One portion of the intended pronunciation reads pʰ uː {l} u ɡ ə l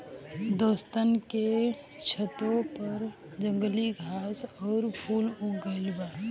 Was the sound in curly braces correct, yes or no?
yes